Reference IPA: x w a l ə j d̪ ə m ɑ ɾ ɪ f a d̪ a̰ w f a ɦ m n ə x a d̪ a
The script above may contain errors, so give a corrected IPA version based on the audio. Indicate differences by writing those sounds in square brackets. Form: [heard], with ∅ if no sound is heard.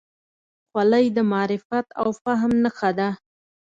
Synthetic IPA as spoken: x w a l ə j d̪ ə m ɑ ɾ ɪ f a [t̪] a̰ w f a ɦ m n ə x a d̪ a